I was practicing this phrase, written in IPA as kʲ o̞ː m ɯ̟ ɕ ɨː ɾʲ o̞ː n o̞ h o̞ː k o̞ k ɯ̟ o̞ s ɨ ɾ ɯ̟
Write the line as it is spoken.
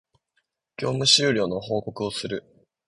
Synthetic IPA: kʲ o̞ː m ɯ̟ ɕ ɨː ɾʲ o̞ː n o̞ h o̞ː k o̞ k ɯ̟ o̞ s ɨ ɾ ɯ̟